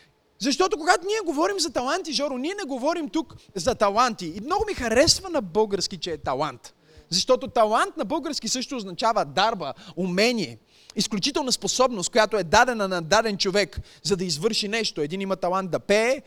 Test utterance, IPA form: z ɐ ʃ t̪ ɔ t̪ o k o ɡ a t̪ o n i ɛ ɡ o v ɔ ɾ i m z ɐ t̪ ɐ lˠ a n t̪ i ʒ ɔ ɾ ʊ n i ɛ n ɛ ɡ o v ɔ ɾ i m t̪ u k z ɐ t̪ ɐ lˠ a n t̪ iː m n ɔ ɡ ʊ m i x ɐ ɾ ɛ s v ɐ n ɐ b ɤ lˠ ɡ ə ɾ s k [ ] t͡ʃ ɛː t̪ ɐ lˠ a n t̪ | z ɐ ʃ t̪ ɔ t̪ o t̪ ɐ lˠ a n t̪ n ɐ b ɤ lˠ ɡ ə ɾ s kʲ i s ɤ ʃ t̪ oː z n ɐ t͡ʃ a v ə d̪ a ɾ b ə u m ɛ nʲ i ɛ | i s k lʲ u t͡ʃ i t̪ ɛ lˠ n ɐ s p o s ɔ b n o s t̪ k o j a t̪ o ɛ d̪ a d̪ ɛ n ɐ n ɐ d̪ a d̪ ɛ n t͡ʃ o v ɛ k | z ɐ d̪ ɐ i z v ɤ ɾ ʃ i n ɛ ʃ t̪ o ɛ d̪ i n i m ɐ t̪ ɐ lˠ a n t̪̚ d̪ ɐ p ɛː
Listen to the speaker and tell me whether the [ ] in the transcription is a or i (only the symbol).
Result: i